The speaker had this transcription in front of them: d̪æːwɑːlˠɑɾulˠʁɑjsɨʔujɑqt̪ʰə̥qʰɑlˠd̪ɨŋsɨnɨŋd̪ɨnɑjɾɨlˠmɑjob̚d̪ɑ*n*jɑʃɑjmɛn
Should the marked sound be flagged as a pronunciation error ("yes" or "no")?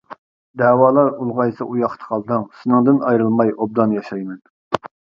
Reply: no